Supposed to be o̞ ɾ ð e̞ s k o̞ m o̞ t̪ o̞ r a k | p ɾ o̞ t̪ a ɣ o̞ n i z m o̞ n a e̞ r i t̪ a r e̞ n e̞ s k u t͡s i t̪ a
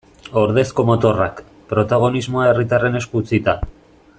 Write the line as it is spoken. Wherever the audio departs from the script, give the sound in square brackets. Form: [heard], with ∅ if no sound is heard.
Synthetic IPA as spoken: o̞ ɾ ð e̞ s k o̞ m o̞ t̪ o̞ r a k | p ɾ o̞ t̪ a ɣ o̞ n i z m o̞ [∅] a e̞ r i t̪ a r e̞ n e̞ s k u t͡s i t̪ a